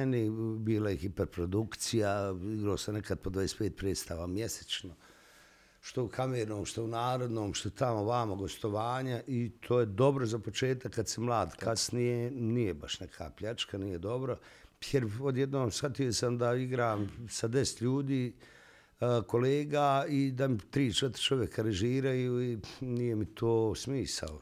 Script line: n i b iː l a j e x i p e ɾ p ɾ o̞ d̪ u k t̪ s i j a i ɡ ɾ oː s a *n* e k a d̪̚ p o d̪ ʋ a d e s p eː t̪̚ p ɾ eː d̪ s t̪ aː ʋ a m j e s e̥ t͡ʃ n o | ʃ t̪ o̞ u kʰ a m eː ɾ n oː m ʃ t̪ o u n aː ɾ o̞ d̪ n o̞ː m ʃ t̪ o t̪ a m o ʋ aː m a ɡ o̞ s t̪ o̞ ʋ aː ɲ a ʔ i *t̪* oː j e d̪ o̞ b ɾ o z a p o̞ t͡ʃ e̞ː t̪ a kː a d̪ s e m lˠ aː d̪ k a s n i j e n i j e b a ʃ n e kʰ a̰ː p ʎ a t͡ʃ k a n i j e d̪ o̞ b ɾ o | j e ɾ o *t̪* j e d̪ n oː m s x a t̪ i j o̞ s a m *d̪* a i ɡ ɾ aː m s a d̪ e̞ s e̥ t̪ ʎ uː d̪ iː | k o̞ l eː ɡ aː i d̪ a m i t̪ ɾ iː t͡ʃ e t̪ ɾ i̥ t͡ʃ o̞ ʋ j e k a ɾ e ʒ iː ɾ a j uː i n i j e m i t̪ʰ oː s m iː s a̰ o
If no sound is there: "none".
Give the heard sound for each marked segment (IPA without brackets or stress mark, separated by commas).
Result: n, t̪ʰ, d̪, d̪